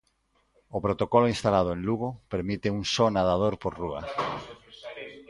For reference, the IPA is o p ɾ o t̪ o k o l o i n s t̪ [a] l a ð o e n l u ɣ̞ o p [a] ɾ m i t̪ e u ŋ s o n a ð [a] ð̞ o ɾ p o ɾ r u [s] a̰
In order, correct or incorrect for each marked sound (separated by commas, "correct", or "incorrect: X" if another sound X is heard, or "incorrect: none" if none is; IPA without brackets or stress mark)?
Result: correct, incorrect: e, correct, incorrect: none